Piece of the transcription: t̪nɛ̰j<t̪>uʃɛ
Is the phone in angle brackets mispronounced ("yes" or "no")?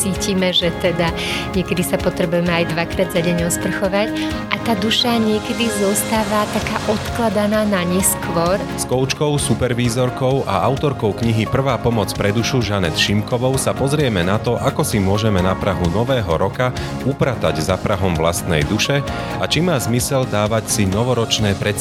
yes